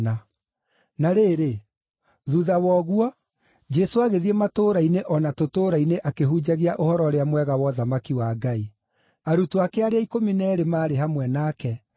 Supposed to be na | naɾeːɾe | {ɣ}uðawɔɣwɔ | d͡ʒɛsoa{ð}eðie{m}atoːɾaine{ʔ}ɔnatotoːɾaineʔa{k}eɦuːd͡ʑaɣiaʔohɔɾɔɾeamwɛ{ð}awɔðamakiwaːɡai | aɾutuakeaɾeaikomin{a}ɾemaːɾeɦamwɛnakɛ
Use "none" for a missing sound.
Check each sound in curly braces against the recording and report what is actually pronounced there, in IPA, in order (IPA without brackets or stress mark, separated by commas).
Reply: ð, ɣ, m, ʔ, k, ɣ, ɛ